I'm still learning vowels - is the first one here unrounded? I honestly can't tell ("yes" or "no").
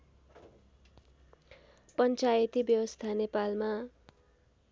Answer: yes